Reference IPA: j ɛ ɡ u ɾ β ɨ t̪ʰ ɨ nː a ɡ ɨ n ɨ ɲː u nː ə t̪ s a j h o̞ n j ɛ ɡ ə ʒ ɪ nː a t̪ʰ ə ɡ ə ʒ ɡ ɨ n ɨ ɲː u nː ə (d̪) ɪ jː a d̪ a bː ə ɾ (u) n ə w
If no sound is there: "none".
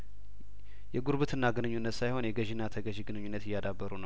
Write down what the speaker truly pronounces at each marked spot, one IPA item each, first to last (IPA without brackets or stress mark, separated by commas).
t̪, u